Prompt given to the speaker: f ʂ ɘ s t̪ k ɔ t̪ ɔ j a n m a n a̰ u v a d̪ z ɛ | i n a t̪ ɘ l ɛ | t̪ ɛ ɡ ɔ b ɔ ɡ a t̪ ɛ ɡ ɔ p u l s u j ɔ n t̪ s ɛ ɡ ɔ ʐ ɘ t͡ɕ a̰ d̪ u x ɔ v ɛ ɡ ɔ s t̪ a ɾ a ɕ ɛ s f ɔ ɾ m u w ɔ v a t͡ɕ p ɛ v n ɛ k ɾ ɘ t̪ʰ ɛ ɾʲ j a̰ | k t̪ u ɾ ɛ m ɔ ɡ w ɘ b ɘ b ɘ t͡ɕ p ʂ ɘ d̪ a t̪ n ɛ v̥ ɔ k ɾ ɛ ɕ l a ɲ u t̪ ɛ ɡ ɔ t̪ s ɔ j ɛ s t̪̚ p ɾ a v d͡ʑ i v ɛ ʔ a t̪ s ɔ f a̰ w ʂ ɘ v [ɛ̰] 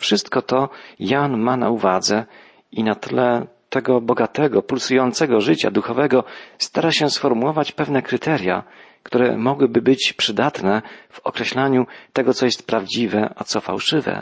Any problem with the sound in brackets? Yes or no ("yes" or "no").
no